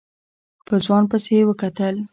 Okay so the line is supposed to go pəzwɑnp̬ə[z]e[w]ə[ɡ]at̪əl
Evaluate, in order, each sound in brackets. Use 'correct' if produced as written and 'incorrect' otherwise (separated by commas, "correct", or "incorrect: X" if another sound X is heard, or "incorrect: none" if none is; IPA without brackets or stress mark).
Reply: incorrect: s, correct, incorrect: k